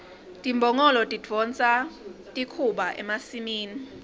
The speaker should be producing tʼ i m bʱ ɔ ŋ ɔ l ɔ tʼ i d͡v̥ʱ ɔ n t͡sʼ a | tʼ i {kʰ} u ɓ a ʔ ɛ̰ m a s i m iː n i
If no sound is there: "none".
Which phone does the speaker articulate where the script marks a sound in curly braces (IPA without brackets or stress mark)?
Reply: kʰ